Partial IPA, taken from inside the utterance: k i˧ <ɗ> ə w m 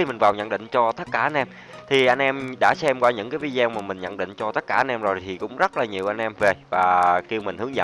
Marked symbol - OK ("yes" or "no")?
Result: no